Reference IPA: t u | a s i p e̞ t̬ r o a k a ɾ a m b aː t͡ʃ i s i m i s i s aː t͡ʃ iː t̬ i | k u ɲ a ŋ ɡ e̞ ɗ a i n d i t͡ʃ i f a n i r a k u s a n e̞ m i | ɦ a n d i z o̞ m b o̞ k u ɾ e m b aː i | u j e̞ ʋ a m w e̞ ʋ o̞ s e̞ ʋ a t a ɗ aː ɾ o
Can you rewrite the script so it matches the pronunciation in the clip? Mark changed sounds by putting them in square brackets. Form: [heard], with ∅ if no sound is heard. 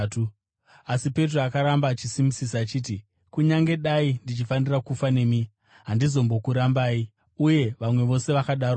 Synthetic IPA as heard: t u | a s i p e̞ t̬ r o a k a ɾ a m b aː t͡ʃ i s i m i s i s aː t͡ʃ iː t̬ i | k u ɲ a ŋ ɡ e̞ ɗ a i n d i t͡ʃ i f a n i r a k u [f] a n e̞ m i | ɦ a n d i z o̞ m b o̞ k u ɾ [a] m b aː i | u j e̞ ʋ a m w e̞ ʋ o̞ s e̞ ʋ a [k] a ɗ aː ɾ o